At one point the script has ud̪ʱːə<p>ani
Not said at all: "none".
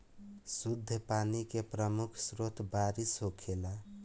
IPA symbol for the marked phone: p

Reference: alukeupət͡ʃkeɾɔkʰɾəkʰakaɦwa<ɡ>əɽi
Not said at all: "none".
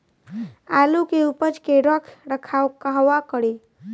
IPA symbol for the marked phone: k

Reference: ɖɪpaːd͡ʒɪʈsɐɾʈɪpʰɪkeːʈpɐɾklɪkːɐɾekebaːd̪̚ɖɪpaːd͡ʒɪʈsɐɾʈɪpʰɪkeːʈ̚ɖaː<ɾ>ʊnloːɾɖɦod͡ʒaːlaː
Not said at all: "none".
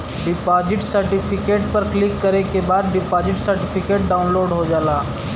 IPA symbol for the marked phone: none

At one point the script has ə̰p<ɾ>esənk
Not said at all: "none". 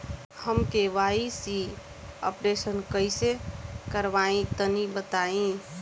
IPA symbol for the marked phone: ɾ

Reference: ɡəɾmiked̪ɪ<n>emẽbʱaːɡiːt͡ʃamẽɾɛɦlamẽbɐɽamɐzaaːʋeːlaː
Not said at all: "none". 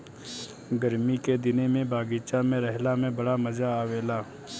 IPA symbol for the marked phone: n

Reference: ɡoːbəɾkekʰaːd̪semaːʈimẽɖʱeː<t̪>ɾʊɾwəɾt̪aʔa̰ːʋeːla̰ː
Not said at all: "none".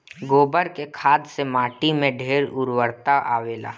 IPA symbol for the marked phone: none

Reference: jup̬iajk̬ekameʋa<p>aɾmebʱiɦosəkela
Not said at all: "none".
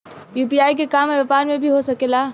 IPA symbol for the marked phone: p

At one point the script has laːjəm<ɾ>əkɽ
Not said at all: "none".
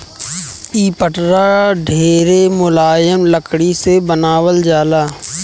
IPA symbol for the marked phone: l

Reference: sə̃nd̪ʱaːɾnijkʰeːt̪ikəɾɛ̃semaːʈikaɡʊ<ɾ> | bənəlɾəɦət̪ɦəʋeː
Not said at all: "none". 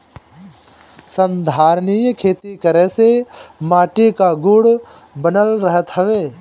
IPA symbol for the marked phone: ɽ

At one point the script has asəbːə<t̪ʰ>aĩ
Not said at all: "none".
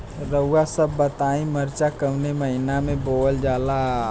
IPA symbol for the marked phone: t̪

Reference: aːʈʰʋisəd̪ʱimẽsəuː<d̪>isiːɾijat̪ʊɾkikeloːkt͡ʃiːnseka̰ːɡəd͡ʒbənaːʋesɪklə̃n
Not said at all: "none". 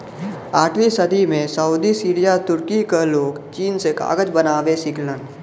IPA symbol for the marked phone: d̪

